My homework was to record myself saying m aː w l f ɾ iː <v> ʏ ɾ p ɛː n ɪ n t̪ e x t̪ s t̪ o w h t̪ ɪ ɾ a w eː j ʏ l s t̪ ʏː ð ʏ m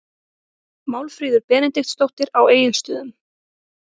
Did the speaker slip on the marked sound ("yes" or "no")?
yes